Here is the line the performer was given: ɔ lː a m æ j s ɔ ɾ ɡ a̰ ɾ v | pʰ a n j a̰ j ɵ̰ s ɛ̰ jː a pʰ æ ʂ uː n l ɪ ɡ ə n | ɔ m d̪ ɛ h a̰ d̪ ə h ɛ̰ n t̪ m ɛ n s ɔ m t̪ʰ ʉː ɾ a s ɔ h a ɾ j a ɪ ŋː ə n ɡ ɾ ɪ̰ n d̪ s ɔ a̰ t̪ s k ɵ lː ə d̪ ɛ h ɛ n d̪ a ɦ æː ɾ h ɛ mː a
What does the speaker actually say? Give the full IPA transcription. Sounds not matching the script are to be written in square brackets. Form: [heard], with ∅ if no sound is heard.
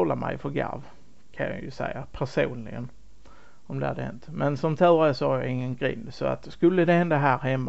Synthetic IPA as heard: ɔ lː a m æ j [f] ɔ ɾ ɡ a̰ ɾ v | [kʰ] a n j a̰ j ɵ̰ s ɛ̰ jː a pʰ æ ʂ uː n l ɪ ɡ ə n | ɔ m d̪ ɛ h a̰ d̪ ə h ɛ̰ n t̪ m ɛ n s ɔ m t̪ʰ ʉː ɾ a s ɔ h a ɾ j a ɪ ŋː ə n ɡ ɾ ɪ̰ n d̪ s ɔ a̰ t̪ s k ɵ lː ə d̪ ɛ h ɛ n d̪ a ɦ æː ɾ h ɛ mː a